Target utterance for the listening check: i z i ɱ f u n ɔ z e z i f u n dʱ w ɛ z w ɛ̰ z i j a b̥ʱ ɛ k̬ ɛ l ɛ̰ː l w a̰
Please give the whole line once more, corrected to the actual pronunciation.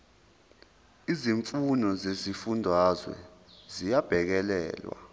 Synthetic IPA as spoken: i z i ɱ f u n ɔ z e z i f u n dʱ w a z w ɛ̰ z i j a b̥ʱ ɛ k̬ ɛ l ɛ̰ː l w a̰